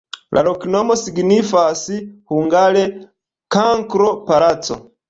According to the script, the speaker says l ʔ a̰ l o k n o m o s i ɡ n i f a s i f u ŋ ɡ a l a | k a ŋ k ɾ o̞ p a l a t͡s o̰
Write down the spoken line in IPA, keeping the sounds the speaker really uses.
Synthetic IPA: l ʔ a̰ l o k n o m o s i ɡ n i f a s i h u ŋ ɡ a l e | k a ŋ k ɾ o̞ p a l a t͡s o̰